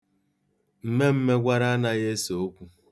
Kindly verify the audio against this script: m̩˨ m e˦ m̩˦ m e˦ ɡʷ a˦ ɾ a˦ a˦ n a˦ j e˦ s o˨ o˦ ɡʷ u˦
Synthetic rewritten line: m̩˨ m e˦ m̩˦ m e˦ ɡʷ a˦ ɾ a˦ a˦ n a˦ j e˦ s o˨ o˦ kʷ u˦